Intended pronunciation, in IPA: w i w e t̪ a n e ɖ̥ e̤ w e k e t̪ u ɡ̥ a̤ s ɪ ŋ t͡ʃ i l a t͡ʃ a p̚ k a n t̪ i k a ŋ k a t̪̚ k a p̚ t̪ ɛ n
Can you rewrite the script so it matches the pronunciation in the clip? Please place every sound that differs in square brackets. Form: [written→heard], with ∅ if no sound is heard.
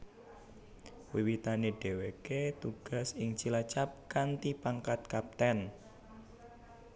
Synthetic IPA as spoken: w i w [e→i] t̪ a n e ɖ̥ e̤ w e k e t̪ u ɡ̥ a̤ s ɪ ŋ t͡ʃ i l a t͡ʃ a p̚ k a n t̪ i [k→p] a ŋ k a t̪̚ k a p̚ t̪ ɛ n

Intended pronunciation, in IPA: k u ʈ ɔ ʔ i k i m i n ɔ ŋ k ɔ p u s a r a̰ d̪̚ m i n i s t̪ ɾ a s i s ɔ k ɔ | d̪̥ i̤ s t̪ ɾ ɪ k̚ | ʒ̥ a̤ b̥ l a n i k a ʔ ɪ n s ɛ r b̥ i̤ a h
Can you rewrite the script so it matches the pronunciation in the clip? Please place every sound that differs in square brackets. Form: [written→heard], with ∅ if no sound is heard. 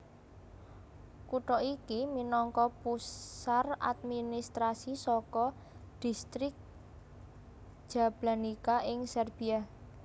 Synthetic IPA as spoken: k u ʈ ɔ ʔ i k i m i n ɔ ŋ k ɔ p u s a r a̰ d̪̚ m i n i s t̪ ɾ a s i s ɔ k ɔ | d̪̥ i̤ s t̪ ɾ ɪ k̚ | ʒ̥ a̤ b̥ l a n i k a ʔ ɪ [n→ŋ] s ɛ r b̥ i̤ a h

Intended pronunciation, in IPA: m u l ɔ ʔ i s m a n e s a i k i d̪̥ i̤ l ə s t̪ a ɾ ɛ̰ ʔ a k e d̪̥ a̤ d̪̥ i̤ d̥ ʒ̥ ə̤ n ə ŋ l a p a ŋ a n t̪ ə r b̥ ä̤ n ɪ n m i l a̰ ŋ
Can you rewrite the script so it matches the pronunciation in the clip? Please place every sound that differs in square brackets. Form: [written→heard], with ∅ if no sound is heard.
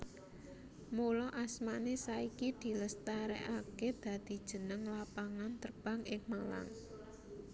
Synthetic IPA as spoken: m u l ɔ ʔ [i→a] s m a n e s a i k i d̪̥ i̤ l ə s t̪ a ɾ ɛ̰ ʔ a k e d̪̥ a̤ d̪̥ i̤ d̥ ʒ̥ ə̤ n ə ŋ l a p a ŋ a n t̪ ə r b̥ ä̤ [n→ŋ] ɪ [n→ŋ] m [i→a] l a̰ ŋ

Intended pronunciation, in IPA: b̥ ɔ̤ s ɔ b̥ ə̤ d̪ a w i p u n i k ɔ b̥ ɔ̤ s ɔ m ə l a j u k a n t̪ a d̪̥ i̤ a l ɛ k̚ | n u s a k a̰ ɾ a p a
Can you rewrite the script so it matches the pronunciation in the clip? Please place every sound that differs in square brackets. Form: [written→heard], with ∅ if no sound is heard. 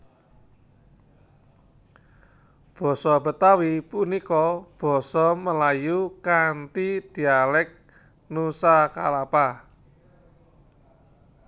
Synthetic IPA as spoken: b̥ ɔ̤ s ɔ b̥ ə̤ [d̪→t̪] a w i p u n i k ɔ b̥ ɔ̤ s ɔ m ə l a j u k a n t̪ [a→i] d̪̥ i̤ a l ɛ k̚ | n u s a k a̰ [ɾ→l] a p a

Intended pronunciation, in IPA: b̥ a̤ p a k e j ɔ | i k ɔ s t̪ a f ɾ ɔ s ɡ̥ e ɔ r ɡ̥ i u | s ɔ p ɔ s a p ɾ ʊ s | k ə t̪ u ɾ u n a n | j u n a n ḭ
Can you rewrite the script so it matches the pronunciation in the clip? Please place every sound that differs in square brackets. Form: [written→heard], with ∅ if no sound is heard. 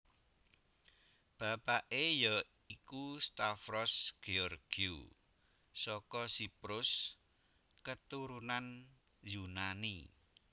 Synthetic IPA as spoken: b̥ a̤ p a [k→ʔ] e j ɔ | i k [ɔ→u] s t̪ a f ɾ ɔ s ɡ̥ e ɔ r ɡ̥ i u | s ɔ [p→k] ɔ s [a→i] p ɾ ʊ s | k ə t̪ u ɾ u n a n | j u n a n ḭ

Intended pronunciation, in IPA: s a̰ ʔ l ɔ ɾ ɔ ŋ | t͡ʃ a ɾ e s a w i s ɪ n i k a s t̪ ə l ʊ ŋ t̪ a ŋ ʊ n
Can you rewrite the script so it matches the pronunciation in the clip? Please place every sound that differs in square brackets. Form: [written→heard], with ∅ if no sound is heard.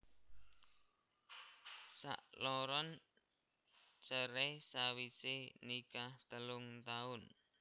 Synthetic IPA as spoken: s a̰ ʔ l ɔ ɾ ɔ [ŋ→n] | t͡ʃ [a→ə] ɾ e s a w i s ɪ n i k a [s→h] t̪ ə l ʊ ŋ t̪ a [ŋ→∅] ʊ n

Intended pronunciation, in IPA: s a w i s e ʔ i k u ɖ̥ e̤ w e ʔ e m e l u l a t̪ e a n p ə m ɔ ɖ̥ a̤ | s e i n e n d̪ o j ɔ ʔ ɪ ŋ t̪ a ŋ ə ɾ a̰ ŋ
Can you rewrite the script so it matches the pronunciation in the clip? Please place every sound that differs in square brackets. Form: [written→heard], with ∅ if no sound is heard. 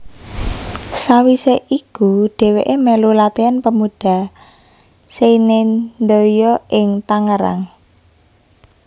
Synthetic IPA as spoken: s a w i s e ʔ i k u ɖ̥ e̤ w e ʔ e m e l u l a t̪ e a n p ə m [ɔ→u] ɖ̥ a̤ | s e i n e n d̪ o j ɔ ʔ ɪ ŋ t̪ a ŋ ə ɾ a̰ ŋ

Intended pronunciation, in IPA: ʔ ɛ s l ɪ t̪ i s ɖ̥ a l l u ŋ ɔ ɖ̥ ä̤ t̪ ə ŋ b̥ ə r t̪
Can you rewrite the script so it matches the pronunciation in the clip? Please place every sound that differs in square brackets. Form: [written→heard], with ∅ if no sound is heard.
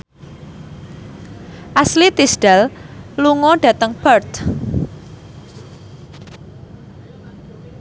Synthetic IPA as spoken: ʔ [ɛ→a] s l [ɪ→i] t̪ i s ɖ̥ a l l u ŋ ɔ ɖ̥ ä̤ t̪ ə ŋ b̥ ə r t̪

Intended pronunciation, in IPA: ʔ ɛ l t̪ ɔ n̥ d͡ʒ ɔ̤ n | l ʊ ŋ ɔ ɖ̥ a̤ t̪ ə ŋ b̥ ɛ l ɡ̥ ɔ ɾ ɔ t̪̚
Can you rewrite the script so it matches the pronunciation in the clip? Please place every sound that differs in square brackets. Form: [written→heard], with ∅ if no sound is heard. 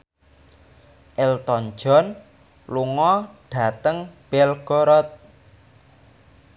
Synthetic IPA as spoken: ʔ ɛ l t̪ ɔ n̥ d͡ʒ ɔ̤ n | l [ʊ→u] ŋ ɔ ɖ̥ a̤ t̪ ə ŋ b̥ ɛ l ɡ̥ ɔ ɾ ɔ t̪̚

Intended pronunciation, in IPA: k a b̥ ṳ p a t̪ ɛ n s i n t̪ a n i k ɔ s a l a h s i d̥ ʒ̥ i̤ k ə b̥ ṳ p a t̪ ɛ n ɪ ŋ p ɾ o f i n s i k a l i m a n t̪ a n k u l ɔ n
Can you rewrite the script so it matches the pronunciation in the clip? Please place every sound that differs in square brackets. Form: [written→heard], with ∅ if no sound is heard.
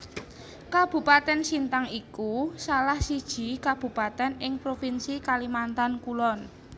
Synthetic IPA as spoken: k a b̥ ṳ p a t̪ ɛ n s i n t̪ a [n→ŋ] i k [ɔ→u] s a l a h s i d̥ ʒ̥ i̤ k [ə→a] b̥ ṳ p a t̪ ɛ n ɪ ŋ p ɾ o f i n s i k a l i m a n t̪ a n k u l ɔ n

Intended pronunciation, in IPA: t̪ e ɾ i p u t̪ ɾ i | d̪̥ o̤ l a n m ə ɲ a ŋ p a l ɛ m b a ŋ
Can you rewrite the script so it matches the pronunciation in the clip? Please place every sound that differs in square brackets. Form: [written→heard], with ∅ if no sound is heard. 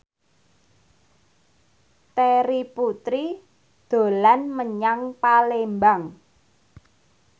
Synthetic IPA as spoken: t̪ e ɾ i p u t̪ ɾ i | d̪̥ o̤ l a n m ə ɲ a ŋ p a l [ɛ→e] m b a ŋ

